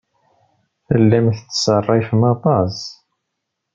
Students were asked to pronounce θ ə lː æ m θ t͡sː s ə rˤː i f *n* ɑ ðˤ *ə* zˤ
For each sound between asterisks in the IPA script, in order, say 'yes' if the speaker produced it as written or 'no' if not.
no, no

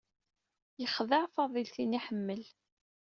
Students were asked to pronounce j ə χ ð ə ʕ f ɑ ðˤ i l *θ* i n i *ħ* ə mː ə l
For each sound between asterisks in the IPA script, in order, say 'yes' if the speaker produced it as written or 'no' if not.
yes, yes

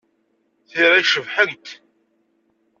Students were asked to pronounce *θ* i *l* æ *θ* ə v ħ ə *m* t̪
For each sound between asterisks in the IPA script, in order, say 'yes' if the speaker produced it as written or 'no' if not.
yes, no, no, no

